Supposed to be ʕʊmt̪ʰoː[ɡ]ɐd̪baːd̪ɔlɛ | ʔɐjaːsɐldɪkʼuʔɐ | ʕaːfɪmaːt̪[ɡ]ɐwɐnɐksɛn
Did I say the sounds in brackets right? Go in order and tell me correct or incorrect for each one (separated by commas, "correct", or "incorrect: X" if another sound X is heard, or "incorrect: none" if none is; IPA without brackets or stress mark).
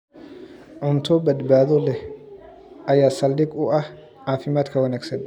incorrect: b, incorrect: k